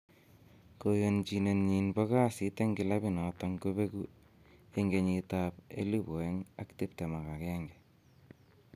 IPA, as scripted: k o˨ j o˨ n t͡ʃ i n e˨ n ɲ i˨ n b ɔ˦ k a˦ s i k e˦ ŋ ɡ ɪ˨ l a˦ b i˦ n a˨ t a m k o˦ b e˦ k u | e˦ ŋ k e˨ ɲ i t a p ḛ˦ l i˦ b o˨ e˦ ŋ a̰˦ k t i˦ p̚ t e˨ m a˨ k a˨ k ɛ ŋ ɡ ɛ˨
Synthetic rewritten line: k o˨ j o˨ n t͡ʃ i n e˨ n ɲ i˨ n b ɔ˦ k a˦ s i t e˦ ŋ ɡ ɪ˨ l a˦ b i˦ n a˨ t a ŋ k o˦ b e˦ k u | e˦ ŋ ɡ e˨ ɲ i t a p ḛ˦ l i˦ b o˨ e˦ ŋ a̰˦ k t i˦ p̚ t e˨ m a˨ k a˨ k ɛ ŋ ɡ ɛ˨